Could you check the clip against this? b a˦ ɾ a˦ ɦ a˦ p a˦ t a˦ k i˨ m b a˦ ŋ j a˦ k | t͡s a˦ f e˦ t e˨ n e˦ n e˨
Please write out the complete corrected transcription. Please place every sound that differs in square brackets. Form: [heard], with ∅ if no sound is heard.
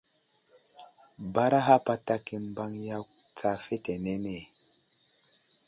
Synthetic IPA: b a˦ ɾ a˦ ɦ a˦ p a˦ t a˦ k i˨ m b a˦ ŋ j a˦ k | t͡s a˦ f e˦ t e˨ n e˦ n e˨